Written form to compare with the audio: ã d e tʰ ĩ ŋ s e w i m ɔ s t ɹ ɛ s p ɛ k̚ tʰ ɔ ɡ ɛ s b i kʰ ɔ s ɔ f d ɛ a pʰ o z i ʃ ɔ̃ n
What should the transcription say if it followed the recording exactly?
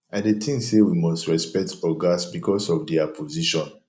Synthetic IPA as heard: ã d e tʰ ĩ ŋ s e w i m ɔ s t ɹ ɛ s p ɛ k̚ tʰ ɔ ɡ a s b i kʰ ɔ s ɔ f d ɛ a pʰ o z i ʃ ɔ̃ n